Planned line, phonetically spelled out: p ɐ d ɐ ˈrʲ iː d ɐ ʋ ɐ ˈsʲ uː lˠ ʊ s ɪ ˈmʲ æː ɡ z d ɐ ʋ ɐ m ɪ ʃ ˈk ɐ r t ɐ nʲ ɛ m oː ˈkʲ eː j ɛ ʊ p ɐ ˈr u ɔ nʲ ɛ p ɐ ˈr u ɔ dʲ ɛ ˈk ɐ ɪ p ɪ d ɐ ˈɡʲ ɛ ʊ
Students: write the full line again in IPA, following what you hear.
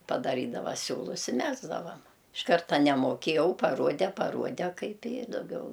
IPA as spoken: p ɐ d ɐ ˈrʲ iː d ɐ ʋ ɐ ˈsʲ uː lˠ ʊ s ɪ ˈmʲ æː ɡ z d ɐ ʋ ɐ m ɪ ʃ ˈk ɐ r t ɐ nʲ ɛ m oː ˈkʲ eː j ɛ ʊ p ɐ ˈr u ɔ dʲ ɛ p ɐ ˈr u ɔ dʲ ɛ ˈk ɐ ɪ p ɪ d ɐ ˈɡʲ ɛ ʊ